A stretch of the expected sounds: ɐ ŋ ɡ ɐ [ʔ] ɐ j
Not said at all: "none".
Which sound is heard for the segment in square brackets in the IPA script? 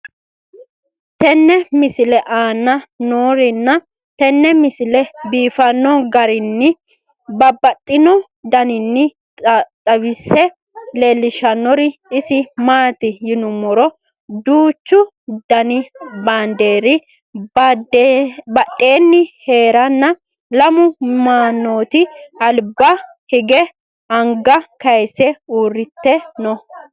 k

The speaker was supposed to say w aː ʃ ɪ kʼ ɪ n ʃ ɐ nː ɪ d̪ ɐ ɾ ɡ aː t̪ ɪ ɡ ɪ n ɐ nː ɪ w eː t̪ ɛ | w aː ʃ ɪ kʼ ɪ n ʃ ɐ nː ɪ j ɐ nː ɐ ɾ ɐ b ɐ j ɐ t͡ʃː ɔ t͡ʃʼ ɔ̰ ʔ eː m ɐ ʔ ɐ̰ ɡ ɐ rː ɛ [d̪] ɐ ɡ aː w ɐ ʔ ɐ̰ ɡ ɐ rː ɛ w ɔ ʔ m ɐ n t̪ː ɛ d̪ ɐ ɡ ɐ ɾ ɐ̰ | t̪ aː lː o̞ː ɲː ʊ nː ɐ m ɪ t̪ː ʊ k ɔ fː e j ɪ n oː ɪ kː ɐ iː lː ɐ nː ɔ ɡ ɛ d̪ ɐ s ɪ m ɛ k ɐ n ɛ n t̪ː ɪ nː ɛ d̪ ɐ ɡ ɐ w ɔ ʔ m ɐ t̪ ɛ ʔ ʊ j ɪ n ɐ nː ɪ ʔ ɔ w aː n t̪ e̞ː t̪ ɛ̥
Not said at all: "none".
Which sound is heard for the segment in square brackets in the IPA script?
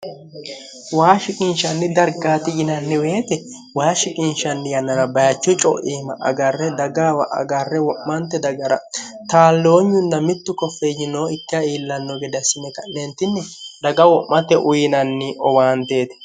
d̪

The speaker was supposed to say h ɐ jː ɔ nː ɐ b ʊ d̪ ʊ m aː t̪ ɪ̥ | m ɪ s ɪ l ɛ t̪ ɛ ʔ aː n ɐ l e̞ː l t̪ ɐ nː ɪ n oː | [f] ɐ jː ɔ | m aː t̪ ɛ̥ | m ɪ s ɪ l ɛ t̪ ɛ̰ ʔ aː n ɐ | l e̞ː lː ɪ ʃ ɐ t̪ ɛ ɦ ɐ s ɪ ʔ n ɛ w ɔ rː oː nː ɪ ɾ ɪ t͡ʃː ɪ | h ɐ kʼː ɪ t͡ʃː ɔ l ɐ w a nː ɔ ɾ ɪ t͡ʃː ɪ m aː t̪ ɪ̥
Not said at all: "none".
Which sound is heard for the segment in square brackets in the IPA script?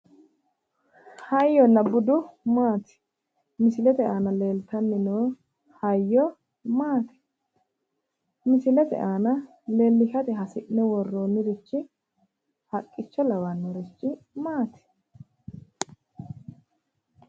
h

